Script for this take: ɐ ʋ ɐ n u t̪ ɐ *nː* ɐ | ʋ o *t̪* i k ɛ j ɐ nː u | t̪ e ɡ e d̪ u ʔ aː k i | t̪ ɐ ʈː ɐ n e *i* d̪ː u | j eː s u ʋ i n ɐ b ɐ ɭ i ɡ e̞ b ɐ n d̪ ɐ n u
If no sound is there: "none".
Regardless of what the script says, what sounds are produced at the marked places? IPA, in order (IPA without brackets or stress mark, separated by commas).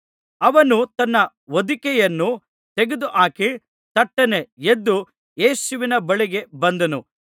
nː, d̪, e